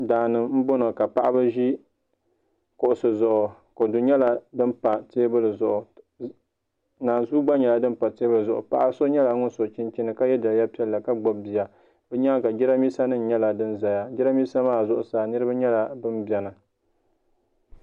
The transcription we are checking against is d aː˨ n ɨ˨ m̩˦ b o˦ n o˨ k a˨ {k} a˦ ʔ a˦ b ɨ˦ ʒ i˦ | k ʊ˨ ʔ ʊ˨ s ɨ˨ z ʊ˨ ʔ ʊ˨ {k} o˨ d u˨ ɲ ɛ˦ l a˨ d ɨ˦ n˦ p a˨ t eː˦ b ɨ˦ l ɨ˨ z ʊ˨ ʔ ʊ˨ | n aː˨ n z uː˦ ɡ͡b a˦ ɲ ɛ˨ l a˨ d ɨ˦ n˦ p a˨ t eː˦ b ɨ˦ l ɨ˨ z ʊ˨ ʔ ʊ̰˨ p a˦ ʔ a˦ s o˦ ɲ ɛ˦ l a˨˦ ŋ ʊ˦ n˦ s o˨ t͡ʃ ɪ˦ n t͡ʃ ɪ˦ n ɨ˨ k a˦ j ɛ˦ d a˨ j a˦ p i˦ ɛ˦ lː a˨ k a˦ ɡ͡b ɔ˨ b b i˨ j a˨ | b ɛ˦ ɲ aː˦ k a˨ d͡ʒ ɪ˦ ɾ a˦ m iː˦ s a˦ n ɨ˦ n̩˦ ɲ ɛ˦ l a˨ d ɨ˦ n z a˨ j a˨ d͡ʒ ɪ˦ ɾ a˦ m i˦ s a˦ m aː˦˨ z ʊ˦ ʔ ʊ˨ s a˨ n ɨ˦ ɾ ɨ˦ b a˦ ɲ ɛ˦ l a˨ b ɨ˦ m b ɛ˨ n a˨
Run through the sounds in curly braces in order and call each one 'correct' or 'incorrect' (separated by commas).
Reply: incorrect, correct